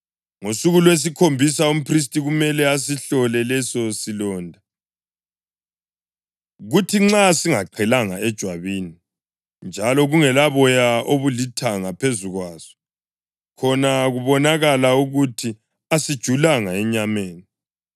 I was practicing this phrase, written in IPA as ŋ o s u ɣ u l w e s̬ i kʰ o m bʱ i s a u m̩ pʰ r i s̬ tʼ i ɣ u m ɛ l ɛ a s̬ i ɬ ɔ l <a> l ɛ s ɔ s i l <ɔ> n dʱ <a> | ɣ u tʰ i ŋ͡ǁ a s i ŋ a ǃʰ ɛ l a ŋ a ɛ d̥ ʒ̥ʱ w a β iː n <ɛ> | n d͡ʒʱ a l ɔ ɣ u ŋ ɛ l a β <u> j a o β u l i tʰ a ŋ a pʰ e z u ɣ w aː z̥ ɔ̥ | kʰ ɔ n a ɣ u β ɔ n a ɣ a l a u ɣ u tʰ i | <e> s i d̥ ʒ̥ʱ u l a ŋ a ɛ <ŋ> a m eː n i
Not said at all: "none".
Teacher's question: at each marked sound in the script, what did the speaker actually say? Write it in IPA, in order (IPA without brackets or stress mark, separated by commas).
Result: ɛ, ɔː, a, i, ɔ, a, ɲ